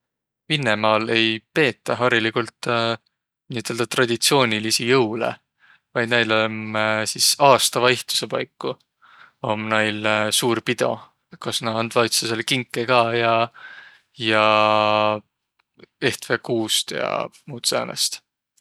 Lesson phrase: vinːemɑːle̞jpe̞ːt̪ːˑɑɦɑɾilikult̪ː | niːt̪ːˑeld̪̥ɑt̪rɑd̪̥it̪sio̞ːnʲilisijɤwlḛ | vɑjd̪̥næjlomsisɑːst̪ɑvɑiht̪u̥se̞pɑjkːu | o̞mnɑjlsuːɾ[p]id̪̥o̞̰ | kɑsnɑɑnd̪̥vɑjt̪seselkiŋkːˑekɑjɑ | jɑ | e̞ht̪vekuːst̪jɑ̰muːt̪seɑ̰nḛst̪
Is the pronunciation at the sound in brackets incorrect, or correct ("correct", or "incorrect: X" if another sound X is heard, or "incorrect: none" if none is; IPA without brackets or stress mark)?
correct